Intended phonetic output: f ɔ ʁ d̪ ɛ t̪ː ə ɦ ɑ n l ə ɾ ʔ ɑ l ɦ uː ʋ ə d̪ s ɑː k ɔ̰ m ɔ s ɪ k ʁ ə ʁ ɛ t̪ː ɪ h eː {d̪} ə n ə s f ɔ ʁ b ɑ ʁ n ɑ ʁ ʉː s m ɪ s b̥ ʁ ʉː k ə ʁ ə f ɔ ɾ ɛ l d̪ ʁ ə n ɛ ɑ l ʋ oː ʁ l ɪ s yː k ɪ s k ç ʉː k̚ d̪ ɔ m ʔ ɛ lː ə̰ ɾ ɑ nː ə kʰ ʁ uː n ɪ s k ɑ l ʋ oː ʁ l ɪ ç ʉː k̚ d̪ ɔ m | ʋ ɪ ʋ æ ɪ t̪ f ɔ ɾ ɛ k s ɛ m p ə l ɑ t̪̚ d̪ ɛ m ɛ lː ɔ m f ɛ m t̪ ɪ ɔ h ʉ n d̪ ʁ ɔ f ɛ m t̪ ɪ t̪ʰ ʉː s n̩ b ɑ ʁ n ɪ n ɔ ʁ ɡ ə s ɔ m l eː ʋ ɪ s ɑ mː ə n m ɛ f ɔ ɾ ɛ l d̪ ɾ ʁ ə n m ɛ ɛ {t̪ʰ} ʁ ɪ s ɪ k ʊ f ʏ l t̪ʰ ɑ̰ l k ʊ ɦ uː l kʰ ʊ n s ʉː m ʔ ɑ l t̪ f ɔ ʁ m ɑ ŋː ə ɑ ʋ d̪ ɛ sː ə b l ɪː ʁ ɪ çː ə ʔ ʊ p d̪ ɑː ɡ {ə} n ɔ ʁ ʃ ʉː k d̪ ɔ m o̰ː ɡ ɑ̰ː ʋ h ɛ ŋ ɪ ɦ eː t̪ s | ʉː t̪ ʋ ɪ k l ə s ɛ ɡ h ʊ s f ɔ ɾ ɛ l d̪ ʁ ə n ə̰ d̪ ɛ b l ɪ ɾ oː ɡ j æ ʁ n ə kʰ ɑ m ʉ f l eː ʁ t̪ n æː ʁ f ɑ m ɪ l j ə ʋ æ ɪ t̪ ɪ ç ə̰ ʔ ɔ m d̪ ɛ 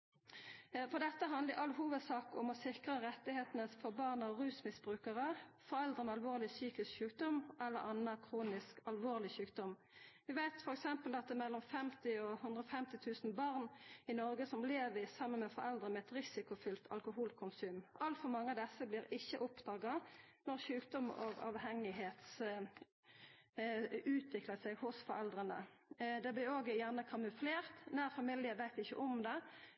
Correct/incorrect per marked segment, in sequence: incorrect: t̪, incorrect: t̪, incorrect: ɑ

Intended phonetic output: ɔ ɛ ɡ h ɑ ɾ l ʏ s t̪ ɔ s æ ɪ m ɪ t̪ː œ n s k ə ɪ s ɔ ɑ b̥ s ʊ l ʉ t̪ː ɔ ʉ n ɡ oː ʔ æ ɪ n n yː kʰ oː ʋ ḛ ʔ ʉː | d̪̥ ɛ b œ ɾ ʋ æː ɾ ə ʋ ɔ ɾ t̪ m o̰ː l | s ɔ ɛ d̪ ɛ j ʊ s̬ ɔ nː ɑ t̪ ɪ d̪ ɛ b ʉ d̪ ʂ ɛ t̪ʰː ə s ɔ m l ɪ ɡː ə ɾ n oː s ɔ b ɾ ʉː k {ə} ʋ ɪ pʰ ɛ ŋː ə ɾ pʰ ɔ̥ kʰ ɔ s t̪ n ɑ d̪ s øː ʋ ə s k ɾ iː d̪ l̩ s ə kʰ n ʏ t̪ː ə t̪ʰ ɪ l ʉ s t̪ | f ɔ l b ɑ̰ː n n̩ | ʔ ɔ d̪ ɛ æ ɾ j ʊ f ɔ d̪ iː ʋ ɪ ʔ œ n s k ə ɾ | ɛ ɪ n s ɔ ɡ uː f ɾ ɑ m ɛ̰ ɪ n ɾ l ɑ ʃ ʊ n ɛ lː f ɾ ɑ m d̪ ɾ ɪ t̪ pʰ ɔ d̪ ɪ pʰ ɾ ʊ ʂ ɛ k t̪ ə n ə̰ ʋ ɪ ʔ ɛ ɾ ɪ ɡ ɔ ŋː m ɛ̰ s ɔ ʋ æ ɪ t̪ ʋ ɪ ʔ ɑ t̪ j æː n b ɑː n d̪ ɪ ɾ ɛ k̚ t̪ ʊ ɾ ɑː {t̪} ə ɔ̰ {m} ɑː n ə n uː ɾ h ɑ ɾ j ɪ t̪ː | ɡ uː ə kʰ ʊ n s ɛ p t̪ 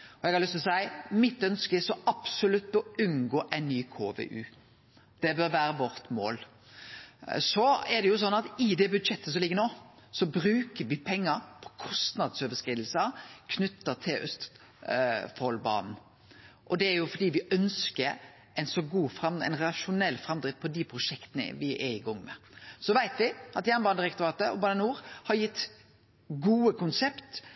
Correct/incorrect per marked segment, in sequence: correct, correct, incorrect: b

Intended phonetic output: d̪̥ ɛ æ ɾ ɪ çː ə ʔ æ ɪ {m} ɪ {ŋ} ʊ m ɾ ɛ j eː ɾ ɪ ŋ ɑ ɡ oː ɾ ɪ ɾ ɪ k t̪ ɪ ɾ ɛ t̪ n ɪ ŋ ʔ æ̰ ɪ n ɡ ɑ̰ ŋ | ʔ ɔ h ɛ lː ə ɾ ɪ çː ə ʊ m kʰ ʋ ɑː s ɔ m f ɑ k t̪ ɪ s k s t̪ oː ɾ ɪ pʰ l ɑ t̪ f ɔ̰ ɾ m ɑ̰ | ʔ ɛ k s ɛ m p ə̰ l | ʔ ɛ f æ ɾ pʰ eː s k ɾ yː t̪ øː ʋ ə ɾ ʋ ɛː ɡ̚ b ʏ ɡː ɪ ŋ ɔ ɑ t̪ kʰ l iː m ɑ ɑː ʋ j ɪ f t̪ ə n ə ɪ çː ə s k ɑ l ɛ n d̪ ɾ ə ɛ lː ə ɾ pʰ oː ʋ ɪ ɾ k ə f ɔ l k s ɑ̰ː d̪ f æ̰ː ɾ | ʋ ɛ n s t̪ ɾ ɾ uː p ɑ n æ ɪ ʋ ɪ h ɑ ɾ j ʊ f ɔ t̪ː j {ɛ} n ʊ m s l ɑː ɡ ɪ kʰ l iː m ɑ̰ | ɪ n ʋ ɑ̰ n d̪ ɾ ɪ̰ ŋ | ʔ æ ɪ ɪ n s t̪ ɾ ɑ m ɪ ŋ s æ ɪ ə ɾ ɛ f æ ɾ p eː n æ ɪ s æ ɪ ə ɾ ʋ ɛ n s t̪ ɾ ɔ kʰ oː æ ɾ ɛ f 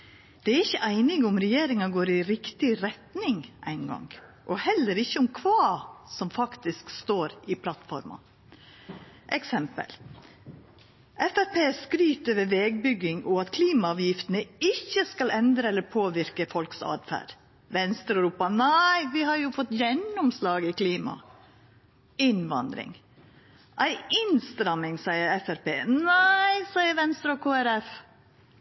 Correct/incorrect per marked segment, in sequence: incorrect: n, incorrect: ɡ, correct

